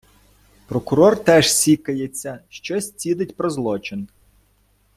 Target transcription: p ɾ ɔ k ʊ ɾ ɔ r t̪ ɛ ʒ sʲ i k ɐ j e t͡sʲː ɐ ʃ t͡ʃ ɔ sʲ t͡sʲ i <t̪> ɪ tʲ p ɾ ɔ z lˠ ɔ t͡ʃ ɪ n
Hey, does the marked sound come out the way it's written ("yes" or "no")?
no